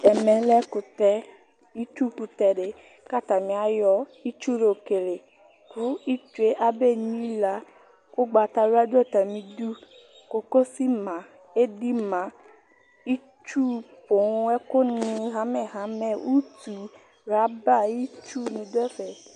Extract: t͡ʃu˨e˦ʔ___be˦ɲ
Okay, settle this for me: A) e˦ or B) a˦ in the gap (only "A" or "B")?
B